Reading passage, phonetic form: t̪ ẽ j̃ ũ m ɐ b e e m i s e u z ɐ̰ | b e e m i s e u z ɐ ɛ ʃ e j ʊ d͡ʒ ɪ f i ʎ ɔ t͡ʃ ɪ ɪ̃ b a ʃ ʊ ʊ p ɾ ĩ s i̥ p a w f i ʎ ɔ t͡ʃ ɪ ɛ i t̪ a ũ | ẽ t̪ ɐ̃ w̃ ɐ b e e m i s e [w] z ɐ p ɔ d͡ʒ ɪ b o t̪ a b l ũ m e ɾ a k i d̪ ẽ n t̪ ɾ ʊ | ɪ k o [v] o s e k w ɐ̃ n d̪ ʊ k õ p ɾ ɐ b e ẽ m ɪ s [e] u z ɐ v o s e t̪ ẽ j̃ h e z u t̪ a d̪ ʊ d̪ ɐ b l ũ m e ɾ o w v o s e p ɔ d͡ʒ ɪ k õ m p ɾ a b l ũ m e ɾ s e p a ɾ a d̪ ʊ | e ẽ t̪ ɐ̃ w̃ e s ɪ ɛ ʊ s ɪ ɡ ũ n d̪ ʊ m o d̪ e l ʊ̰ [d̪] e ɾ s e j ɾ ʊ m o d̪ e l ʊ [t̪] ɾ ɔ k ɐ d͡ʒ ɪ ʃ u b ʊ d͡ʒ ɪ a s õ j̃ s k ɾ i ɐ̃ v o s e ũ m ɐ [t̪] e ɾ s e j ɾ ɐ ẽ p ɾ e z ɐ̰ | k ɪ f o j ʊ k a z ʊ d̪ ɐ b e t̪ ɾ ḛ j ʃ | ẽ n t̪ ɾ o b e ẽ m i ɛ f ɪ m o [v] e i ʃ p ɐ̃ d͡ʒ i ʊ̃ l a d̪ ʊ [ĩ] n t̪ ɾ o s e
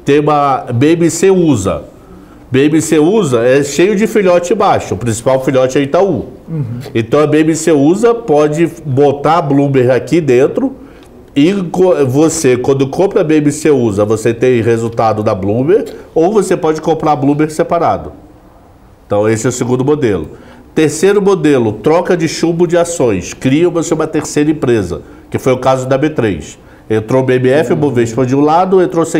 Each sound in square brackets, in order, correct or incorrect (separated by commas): incorrect, correct, correct, incorrect, correct, correct, correct, incorrect